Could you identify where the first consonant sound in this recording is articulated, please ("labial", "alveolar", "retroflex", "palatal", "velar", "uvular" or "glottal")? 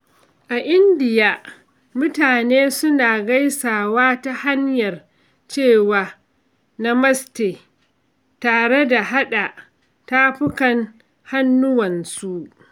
glottal